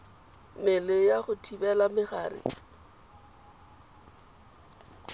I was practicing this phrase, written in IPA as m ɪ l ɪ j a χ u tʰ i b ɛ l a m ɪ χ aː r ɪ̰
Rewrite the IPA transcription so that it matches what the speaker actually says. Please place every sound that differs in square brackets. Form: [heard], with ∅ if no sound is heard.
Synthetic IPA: m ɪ l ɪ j a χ [ʊ] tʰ i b ɛ l a m ɪ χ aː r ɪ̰